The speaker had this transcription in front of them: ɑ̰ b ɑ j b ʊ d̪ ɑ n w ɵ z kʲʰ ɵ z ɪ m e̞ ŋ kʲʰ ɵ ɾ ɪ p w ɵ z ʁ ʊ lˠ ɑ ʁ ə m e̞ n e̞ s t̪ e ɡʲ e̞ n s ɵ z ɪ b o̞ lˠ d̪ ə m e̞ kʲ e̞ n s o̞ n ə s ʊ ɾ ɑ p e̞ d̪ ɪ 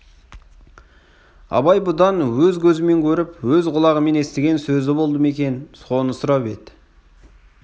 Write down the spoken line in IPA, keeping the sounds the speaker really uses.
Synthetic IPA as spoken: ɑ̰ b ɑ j b ʊ d̪ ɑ n w ɵ z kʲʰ ɵ z ɪ m e̞ ŋ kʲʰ ɵ ɾ ɪ p w ɵ z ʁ ʊ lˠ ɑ ʁ ə m e̞ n e̞ s t̪ e ɡʲ e̞ n s ɵ z ɪ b o̞ lˠ d̪ ə m e̞ kʲ e̞ n s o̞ n ə s ʊ ɾ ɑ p e̞ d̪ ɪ